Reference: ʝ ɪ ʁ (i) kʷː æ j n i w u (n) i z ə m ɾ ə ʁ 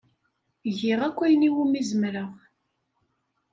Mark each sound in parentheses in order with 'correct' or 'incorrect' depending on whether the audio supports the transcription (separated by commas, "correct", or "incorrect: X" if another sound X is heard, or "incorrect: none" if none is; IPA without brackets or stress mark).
incorrect: æ, incorrect: m